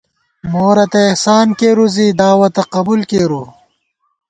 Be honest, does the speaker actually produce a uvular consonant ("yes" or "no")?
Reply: yes